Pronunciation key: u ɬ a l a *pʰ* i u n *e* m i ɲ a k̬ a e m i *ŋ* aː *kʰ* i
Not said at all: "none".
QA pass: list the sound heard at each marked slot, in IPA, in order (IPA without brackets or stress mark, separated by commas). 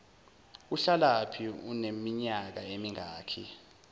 pʰ, e, ŋ, kʰ